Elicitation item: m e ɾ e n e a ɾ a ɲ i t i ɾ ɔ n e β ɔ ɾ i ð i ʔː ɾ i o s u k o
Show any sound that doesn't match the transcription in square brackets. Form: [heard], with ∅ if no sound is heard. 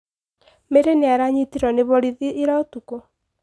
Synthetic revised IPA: m e ɾ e n e a ɾ a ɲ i t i ɾ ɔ n e β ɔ ɾ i ð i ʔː ɾ [a] o [t] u k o